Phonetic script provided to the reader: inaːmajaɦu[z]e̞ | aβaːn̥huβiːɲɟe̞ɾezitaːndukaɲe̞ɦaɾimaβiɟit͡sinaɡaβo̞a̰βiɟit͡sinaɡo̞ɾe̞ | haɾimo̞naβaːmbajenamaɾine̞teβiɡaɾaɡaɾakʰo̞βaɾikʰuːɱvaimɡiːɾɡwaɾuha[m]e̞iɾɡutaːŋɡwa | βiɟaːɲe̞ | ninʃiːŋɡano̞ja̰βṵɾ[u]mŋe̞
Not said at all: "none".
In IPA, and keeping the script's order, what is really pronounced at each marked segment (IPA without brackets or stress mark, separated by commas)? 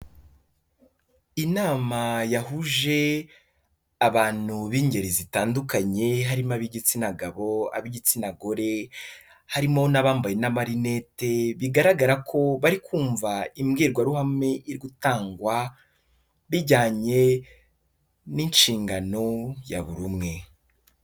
ʒ, m, u